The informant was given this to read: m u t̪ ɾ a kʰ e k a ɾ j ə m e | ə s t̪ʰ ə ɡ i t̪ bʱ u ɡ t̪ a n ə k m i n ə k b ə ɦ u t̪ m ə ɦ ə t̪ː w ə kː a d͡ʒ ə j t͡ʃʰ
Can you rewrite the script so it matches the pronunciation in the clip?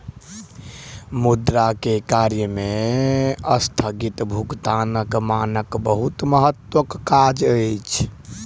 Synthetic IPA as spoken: m u d̪ ɾ a k e k a ɾ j ə m e | ə s t̪ʰ ə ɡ i t̪ bʱ u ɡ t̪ a n ə k m a n ə k b ə ɦ u t̪ m ə ɦ ə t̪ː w ə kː a d͡ʒ ə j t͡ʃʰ